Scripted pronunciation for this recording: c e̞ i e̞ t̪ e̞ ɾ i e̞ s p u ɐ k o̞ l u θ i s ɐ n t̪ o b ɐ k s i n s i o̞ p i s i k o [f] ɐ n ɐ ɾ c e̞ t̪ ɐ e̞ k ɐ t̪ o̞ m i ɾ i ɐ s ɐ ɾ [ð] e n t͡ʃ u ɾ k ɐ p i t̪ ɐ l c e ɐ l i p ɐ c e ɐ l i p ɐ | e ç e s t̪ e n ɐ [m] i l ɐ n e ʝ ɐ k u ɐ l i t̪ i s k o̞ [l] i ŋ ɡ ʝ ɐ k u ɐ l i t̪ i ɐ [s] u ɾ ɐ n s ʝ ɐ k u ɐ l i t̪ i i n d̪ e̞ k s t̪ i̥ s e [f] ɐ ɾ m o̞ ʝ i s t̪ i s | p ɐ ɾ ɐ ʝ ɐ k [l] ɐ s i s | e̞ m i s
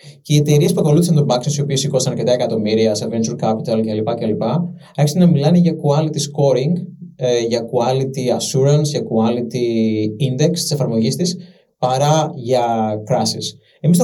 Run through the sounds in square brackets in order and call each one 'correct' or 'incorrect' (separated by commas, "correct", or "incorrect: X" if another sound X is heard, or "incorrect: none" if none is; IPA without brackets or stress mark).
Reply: incorrect: s, incorrect: v, correct, incorrect: ɾ, correct, correct, incorrect: ɾ